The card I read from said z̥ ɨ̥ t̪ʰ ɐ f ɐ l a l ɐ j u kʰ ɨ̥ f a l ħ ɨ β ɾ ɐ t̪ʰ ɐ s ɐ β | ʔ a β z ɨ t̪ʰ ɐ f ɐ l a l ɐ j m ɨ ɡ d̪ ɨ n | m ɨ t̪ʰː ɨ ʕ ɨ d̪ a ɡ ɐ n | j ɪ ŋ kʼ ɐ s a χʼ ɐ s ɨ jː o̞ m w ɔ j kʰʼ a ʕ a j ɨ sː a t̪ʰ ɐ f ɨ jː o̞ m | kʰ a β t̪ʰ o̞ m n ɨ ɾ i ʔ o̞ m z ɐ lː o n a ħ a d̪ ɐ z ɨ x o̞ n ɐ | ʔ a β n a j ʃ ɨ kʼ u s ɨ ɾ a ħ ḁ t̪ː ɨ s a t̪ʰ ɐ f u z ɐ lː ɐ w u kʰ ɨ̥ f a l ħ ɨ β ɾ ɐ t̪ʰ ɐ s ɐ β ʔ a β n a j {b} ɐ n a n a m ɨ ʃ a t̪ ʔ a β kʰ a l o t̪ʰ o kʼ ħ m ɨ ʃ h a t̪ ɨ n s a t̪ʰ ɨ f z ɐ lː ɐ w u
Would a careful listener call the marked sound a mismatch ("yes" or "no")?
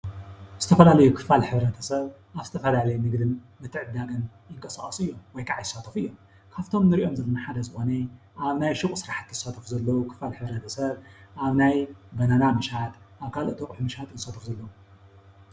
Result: no